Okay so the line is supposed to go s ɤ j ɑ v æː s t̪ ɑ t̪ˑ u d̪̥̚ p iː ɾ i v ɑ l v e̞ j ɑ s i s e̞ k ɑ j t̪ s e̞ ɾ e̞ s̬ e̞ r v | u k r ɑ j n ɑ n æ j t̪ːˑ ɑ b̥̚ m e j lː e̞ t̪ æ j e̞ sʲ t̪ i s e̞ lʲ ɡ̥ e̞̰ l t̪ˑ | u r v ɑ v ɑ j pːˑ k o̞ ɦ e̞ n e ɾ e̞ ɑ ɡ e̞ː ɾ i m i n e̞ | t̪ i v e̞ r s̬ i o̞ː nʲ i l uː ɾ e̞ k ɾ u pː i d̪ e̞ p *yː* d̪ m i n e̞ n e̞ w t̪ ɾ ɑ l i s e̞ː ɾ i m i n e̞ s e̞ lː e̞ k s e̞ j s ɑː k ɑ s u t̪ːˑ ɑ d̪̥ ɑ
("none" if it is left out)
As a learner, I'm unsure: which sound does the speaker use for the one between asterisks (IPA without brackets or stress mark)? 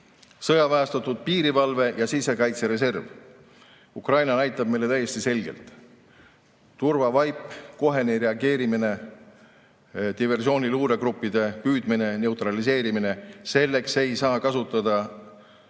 yː